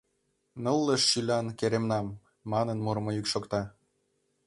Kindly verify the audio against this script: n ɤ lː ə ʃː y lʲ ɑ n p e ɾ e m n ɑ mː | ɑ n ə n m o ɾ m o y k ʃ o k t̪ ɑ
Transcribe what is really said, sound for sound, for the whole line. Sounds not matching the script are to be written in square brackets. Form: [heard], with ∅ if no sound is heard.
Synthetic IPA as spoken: n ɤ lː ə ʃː y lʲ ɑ n [k] e ɾ e m n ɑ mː | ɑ n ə n m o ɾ m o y k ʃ o k t̪ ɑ